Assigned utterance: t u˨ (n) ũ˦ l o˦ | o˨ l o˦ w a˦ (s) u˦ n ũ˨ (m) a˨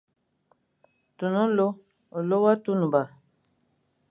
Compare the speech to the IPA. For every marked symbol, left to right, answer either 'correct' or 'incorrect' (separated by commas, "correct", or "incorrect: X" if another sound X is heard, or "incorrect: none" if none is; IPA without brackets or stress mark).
correct, incorrect: t, incorrect: b